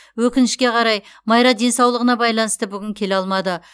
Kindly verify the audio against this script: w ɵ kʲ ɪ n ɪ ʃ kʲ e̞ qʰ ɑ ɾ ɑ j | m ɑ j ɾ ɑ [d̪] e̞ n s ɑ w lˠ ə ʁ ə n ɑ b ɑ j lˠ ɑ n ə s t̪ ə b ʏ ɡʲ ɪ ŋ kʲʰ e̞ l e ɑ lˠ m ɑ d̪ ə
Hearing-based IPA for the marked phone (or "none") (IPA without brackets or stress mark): d̪